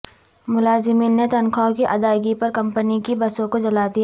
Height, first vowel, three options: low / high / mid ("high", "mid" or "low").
high